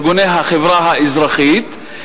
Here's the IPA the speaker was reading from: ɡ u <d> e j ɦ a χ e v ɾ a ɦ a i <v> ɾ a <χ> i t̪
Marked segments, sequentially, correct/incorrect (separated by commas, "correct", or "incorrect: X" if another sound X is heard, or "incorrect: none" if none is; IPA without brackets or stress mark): incorrect: n, incorrect: z, correct